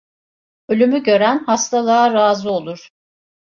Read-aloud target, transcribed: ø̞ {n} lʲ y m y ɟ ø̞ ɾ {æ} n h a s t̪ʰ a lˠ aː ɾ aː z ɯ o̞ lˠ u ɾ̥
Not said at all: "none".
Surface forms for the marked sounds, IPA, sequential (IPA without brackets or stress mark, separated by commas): none, æ